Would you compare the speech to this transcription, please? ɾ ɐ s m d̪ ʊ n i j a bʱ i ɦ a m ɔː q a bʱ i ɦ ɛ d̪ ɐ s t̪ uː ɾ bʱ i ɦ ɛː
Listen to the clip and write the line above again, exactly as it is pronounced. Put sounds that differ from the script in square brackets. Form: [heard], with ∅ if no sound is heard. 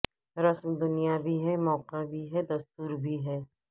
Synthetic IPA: ɾ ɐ s m d̪ ʊ n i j a bʱ i ɦ [ɛ] m ɔː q a bʱ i ɦ ɛ d̪ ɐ s t̪ uː ɾ bʱ i ɦ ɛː